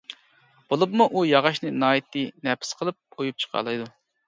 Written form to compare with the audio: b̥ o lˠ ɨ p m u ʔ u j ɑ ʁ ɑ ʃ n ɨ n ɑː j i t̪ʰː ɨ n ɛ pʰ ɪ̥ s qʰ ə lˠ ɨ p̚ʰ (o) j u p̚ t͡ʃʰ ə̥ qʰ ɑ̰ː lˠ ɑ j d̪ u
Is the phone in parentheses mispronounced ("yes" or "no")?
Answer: no